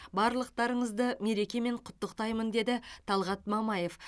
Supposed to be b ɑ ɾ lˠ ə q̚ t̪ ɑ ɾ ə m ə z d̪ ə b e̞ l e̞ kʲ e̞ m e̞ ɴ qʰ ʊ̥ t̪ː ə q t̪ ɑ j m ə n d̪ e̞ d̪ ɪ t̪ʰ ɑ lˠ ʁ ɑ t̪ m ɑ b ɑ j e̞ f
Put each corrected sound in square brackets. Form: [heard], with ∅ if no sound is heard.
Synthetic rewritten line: b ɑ ɾ lˠ ə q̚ t̪ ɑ ɾ ə [ɴ] ə z d̪ ə [m] e̞ [ɾ] e̞ kʲ e̞ m e̞ ɴ qʰ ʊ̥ t̪ː ə q t̪ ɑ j m ə n d̪ e̞ d̪ ɪ t̪ʰ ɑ lˠ ʁ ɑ t̪ m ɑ [m] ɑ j e̞ f

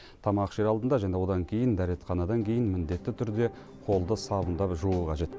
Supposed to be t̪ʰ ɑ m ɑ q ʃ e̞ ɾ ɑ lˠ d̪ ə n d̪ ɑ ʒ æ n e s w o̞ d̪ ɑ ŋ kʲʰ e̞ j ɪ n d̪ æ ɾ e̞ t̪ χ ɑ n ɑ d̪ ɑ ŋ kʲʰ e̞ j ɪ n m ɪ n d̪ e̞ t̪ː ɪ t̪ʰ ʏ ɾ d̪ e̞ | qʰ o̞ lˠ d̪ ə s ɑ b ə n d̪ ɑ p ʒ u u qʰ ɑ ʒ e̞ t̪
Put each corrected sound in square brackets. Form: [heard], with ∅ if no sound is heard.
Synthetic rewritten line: t̪ʰ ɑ m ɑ q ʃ e̞ ɾ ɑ lˠ d̪ ə n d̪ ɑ ʒ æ n e [∅] w o̞ d̪ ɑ ŋ kʲʰ e̞ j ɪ n d̪ æ ɾ e̞ t̪ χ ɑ n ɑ d̪ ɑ ŋ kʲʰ e̞ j ɪ n m ɪ n d̪ e̞ t̪ː ɪ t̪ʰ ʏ ɾ d̪ e̞ | qʰ o̞ lˠ d̪ ə s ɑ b ə n d̪ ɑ p ʒ u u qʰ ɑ ʒ e̞ t̪

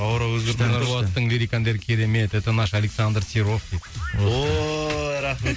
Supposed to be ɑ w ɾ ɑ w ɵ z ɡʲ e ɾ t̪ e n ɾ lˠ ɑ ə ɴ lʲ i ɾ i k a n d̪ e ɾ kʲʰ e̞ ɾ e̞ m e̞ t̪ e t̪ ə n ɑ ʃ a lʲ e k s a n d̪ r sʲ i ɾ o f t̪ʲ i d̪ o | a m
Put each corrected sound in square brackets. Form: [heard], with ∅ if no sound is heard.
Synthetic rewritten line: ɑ w ɾ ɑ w ɵ z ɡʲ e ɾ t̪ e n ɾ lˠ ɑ ə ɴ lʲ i ɾ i k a n d̪ e ɾ kʲʰ e̞ ɾ e̞ m e̞ t̪ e t̪ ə n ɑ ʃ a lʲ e k s a n d̪ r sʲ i ɾ o f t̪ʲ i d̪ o | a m

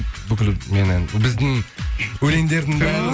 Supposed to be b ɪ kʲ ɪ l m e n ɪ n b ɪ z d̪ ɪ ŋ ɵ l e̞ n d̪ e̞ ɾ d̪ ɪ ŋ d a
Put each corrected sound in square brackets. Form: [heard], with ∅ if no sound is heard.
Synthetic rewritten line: b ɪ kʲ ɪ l m e n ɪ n b ɪ z d̪ ɪ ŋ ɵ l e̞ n d̪ e̞ ɾ d̪ ɪ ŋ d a

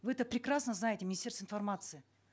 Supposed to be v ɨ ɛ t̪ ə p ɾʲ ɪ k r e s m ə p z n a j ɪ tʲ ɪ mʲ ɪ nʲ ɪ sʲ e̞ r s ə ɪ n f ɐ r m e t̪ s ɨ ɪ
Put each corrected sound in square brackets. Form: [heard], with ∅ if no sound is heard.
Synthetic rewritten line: v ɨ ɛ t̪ ə p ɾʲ ɪ k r [a] s [n] ə [∅] z n a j ɪ tʲ ɪ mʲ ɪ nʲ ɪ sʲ e̞ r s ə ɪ n f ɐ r m [a] t̪ s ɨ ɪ

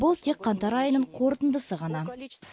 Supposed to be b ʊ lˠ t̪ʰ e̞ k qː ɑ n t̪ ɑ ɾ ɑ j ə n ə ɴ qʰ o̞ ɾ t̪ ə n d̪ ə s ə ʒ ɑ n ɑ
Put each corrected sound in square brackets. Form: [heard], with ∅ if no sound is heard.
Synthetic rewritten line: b ʊ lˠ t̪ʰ e̞ k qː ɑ n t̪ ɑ ɾ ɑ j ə n ə ɴ qʰ o̞ ɾ t̪ ə n d̪ ə s ə [ʁ] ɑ n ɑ

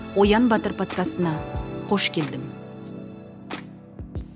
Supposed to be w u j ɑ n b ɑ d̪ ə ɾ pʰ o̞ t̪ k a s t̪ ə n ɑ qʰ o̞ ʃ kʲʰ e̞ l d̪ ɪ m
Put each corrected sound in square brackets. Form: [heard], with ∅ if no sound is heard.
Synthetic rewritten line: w [o] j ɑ n b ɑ [t̪] ə ɾ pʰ o̞ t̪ k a s t̪ ə n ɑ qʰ o̞ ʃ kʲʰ e̞ l d̪ ɪ m

